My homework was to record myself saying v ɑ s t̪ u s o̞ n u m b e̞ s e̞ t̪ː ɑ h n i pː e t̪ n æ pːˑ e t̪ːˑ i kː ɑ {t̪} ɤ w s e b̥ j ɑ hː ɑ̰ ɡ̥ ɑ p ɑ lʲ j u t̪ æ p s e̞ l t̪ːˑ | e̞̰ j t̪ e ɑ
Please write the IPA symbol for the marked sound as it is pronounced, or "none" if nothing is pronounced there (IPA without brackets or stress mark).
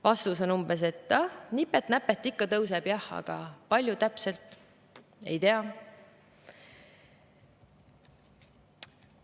t̪